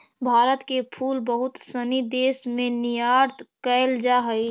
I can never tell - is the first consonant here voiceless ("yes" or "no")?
no